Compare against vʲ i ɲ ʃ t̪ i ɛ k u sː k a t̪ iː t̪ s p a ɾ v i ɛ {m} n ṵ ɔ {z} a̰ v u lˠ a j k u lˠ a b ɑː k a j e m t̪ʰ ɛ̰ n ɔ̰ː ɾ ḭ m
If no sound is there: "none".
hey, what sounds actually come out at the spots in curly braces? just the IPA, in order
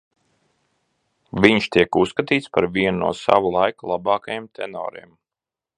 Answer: n, s

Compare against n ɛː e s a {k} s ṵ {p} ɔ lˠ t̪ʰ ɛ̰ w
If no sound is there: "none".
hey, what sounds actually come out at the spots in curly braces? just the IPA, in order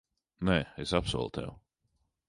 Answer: p, none

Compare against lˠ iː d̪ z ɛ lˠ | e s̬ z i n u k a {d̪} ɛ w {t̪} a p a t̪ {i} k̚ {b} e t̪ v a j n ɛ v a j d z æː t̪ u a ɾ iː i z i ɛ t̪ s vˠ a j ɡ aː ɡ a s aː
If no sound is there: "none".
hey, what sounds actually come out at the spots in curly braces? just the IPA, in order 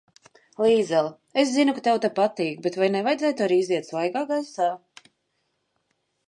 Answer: t̪, t̪, iː, b

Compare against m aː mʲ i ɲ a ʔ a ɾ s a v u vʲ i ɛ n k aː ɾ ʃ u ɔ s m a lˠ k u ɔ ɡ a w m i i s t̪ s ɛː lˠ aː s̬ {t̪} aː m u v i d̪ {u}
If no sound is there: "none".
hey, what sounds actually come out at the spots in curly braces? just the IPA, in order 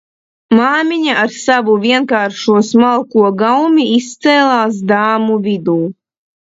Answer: d̪, uː

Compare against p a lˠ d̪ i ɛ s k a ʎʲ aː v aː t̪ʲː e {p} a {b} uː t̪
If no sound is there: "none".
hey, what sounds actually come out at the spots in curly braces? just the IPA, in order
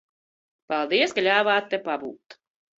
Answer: p, b

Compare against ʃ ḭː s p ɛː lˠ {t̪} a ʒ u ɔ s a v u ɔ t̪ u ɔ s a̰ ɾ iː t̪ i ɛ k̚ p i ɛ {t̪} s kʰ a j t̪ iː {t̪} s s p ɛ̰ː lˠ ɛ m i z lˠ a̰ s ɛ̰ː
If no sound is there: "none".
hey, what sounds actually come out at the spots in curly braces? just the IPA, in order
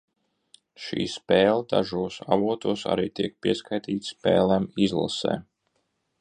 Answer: d̪, none, t̪

